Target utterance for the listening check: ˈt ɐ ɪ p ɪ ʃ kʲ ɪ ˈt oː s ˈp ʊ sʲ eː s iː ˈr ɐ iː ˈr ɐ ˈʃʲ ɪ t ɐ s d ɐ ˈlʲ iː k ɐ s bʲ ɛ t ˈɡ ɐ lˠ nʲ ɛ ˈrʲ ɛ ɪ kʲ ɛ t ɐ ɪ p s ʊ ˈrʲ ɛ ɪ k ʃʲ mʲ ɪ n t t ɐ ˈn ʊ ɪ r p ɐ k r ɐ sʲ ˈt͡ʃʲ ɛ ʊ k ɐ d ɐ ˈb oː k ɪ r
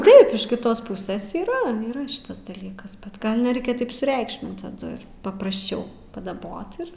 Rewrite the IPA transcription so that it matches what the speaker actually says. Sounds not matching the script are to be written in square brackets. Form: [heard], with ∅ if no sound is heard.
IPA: ˈt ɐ ɪ p ɪ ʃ kʲ ɪ ˈt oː s ˈp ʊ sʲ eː s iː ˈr ɐ iː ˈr ɐ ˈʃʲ ɪ t ɐ s d ɐ ˈlʲ iː k ɐ s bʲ ɛ t ˈɡ ɐ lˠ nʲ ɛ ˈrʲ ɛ ɪ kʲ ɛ t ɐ ɪ p s ʊ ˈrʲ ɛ ɪ k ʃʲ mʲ ɪ n t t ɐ [ˈd] ʊ ɪ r p ɐ [p] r ɐ sʲ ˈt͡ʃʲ ɛ ʊ [p] ɐ d ɐ ˈb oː [t] ɪ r